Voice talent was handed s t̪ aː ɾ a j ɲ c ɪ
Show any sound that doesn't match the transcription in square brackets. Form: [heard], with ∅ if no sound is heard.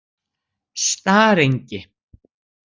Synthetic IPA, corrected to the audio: s t̪ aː ɾ [e] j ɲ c ɪ